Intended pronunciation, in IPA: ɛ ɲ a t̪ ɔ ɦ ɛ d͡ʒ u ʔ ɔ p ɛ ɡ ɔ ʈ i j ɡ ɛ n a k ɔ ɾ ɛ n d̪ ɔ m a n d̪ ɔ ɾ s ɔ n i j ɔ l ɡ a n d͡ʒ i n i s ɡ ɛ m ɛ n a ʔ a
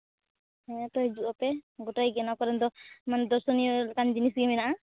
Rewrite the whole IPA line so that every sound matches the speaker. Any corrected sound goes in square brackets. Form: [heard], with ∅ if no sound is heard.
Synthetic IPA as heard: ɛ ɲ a t̪ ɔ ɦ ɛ d͡ʒ u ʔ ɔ p ɛ ɡ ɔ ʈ [a] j ɡ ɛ n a k ɔ ɾ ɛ n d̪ ɔ m a n d̪ ɔ ɾ s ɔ n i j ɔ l [k] a n d͡ʒ i n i s ɡ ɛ m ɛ n a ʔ a